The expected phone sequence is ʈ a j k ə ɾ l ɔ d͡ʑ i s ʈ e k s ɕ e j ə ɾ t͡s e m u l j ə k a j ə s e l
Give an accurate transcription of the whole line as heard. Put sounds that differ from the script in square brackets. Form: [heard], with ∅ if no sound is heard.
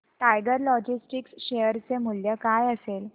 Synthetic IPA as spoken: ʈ a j [ɡ] ə ɾ l ɔ d͡ʑ i s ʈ [i] k s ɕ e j ə ɾ t͡s e m u l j ə k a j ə s e l